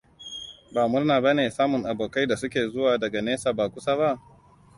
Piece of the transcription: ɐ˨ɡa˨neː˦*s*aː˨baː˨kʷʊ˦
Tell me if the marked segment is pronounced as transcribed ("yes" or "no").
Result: yes